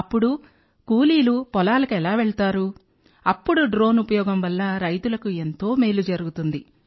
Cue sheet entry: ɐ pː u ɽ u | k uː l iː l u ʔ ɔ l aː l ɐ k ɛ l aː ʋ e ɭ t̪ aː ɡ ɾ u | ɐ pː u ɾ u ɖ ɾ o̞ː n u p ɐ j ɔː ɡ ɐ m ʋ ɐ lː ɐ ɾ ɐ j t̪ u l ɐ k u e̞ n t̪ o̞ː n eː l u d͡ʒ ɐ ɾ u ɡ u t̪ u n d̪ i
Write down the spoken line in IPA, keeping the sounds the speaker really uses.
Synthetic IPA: ɐ pː u ɽ u | k uː l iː l u p ɔ l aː l ɐ k ɛ l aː ʋ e ɭ t̪ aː ɾ u | ɐ pː u ɽ u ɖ ɾ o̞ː n u p ɐ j ɔː ɡ ɐ m ʋ ɐ lː ɐ ɾ ɐ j t̪ u l ɐ k u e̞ n t̪ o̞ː m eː l u d͡ʒ ɐ ɾ u ɡ u t̪ u n d̪ i

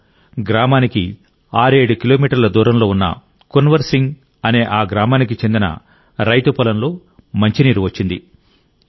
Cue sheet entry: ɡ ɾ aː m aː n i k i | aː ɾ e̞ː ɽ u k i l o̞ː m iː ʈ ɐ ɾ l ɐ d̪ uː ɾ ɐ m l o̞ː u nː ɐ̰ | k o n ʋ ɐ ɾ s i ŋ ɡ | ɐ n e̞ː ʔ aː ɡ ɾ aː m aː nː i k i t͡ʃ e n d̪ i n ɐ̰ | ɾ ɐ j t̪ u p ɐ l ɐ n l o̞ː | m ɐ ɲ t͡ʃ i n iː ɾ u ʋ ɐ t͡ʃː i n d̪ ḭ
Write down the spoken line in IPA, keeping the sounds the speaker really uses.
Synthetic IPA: ɡ ɾ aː m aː n i k i | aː ɾ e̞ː ɽ u k i l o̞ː m iː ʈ ɐ ɾ l ɐ d̪ uː ɾ ɐ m l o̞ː u nː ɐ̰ | k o n ʋ ɐ ɾ s i ŋ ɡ | ɐ n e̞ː ʔ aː ɡ ɾ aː m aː n i k i t͡ʃ e n d̪ i n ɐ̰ | ɾ ɐ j t̪ u p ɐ l ɐ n l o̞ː | m ɐ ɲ t͡ʃ i n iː ɾ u ʋ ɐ t͡ʃː i n d̪ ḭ

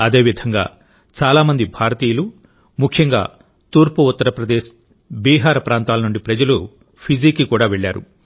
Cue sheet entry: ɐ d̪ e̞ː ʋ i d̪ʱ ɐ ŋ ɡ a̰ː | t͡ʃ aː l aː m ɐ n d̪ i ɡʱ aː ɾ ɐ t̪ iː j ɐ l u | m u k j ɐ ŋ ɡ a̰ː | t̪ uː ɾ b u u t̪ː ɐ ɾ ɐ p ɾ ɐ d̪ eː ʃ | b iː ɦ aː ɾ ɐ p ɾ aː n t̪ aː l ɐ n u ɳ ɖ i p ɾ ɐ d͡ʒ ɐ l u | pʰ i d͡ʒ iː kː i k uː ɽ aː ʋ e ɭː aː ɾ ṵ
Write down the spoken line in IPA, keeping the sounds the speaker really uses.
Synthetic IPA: ɐ d̪ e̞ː ʋ i d̪ʱ ɐ ŋ ɡ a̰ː | t͡ʃ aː l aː m ɐ n d̪ i bʱ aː ɾ ɐ t̪ iː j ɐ l u | m u kʰ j ɐ ŋ ɡ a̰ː | t̪ uː ɾ p u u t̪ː ɐ ɾ ɐ p ɾ ɐ d̪ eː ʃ | b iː ɦ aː ɾ ɐ p ɾ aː n t̪ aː l ɐ n u ɳ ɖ i p ɾ ɐ d͡ʒ ɐ l u | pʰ i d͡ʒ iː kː i k uː ɽ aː ʋ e ɭː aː ɾ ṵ

